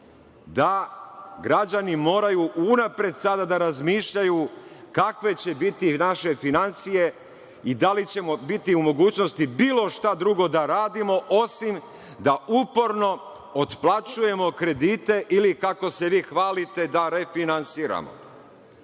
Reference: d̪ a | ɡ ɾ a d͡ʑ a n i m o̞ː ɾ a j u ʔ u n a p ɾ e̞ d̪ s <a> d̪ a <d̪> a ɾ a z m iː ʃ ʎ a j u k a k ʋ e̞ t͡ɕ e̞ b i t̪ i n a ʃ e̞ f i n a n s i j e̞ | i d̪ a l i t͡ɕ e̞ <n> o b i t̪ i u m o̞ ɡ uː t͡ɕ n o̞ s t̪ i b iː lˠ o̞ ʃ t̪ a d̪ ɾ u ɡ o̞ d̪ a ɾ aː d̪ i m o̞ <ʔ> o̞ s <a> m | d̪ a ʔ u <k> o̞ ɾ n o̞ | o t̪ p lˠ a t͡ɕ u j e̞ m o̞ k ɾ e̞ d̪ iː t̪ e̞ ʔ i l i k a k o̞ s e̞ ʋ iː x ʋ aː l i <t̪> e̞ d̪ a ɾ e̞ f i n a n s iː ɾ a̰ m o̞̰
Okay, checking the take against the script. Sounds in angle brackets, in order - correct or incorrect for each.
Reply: correct, correct, incorrect, correct, incorrect, incorrect, correct

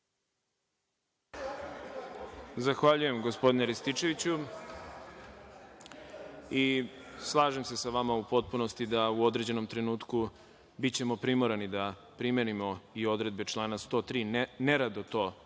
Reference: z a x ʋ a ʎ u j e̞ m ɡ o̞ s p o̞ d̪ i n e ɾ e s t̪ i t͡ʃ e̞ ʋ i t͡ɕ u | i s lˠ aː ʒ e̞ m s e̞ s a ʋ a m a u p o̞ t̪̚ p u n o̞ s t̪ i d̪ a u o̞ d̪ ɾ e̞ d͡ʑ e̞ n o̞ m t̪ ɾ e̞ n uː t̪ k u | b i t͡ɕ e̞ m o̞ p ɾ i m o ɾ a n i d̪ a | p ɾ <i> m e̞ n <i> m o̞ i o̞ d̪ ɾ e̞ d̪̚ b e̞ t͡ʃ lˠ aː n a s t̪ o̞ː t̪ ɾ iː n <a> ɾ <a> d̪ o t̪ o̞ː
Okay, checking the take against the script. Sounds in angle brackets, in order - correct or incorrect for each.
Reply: correct, correct, incorrect, correct

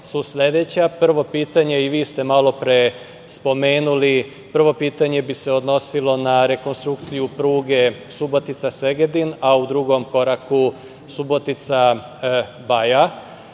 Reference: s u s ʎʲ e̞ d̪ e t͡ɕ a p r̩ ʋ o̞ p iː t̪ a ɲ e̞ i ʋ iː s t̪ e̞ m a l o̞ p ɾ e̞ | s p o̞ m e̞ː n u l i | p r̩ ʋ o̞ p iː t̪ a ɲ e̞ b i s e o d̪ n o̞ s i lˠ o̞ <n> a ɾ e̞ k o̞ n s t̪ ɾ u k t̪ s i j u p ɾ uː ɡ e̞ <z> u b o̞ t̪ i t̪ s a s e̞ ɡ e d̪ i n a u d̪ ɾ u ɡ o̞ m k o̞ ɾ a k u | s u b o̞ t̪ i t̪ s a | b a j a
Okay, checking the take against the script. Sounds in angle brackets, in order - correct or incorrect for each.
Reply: correct, incorrect

